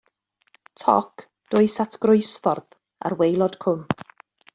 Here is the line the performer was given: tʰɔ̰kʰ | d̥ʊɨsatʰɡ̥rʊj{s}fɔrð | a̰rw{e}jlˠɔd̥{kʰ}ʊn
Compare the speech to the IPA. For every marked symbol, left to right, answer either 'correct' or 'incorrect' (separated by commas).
correct, correct, correct